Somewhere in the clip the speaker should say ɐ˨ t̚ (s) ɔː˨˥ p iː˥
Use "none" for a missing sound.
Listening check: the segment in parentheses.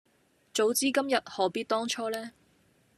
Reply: h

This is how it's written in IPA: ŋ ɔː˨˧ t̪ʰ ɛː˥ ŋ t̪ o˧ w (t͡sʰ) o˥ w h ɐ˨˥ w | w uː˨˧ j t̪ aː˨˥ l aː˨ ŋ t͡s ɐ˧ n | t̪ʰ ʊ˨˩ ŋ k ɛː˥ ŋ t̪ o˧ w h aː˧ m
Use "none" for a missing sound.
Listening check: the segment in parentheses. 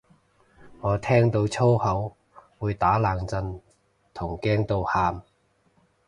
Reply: t͡sʰ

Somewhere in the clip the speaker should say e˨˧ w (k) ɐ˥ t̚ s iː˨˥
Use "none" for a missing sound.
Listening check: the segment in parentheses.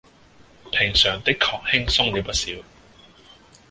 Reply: p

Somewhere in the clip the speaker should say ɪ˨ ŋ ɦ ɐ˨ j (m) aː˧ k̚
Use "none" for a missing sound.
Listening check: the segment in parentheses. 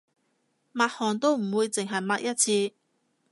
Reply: m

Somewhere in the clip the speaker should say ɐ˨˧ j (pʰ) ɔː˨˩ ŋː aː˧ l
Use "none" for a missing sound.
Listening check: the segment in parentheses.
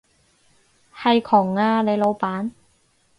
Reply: kʰ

